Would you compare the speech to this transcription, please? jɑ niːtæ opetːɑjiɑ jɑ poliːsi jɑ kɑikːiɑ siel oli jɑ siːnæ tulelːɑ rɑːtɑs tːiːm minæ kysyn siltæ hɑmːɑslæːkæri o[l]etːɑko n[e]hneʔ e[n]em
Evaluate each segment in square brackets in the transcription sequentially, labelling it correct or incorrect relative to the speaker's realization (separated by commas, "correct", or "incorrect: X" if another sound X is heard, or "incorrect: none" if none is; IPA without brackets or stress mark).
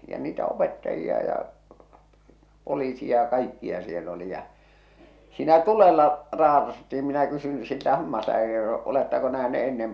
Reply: correct, incorrect: æ, incorrect: nː